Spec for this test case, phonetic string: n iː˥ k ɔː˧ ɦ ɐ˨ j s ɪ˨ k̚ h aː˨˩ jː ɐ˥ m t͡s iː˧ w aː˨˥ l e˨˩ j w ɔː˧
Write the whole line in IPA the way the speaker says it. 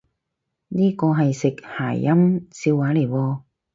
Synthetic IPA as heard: n iː˥ k ɔː˧ ɦ ɐ˨ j s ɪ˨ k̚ h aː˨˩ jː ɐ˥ m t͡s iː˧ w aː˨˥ l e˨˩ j w ɔː˧